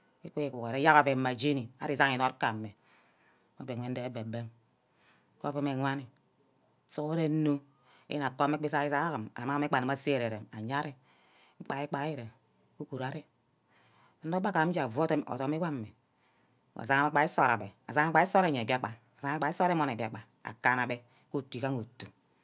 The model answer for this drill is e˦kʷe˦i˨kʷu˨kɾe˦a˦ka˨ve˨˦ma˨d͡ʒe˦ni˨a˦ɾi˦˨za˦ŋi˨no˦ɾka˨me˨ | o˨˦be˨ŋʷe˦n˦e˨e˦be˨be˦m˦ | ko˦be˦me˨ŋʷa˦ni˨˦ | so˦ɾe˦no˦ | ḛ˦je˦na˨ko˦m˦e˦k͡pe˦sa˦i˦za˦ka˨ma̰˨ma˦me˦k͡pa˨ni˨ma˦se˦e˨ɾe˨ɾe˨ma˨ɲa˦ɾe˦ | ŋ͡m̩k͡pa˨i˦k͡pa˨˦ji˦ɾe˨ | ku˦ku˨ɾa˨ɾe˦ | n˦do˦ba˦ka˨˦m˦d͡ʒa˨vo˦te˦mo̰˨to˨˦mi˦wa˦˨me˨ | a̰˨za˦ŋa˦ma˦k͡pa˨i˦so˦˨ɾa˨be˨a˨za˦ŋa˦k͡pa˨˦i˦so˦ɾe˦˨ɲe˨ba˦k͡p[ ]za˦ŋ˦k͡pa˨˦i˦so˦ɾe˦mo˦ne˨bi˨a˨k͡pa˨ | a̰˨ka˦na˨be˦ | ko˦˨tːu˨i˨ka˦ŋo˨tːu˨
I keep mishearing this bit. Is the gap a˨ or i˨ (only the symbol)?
a˨